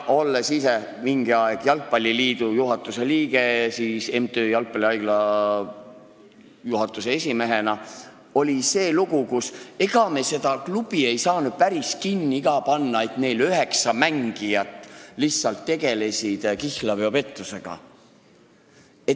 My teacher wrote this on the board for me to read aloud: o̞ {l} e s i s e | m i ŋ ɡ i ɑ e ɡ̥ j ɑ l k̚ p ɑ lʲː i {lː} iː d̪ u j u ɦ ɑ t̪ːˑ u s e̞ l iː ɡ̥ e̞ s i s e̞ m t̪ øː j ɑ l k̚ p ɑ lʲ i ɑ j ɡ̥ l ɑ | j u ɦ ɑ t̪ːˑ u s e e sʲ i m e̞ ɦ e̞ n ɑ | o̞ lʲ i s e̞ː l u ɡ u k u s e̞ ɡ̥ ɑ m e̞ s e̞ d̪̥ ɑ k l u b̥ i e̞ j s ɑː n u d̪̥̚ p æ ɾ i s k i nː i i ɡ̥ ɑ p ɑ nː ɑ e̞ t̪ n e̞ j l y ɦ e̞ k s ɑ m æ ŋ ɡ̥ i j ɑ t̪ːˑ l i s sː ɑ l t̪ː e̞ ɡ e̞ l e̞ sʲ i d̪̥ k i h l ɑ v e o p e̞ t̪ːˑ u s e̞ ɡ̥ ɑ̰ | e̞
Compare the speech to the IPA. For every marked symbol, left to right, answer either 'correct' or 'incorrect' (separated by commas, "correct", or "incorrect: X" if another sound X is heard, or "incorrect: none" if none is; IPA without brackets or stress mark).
incorrect: lː, incorrect: l